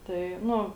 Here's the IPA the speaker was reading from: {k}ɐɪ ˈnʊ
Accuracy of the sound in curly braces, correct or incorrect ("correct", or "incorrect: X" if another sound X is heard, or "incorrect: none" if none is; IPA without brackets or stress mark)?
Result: incorrect: t